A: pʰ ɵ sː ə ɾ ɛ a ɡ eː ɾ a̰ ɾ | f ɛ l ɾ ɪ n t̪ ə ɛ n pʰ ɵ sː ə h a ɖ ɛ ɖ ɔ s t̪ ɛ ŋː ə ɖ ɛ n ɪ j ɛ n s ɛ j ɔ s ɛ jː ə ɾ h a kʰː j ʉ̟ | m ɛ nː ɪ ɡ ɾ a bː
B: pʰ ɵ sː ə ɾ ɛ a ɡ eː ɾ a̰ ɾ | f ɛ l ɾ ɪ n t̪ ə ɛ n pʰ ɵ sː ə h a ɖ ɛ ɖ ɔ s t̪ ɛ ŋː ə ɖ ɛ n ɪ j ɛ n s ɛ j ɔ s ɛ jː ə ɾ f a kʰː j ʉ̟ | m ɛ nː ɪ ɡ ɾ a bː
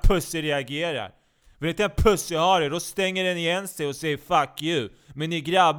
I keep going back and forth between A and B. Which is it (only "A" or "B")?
B